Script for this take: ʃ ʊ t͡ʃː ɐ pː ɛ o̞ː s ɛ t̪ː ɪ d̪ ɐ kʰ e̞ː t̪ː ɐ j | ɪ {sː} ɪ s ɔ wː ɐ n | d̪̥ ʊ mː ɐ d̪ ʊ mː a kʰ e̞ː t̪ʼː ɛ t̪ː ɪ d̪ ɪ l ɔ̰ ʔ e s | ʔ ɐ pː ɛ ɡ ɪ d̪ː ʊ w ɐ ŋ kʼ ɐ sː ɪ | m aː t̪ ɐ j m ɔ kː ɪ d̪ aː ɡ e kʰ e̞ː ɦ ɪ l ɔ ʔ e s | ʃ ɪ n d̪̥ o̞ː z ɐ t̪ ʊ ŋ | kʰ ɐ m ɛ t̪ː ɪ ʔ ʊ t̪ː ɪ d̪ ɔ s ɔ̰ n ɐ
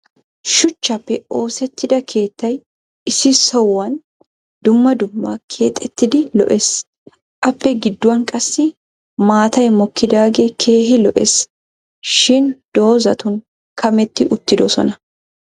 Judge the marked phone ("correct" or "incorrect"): incorrect